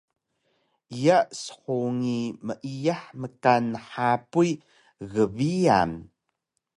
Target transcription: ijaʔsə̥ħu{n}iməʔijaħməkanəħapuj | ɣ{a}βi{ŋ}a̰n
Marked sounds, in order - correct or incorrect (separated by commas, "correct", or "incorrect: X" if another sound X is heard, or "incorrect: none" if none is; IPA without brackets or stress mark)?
incorrect: ŋ, incorrect: ə, incorrect: none